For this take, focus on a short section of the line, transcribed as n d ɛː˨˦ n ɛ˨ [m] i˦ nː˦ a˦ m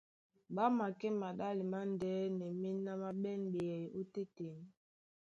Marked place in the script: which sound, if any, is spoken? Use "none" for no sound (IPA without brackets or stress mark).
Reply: m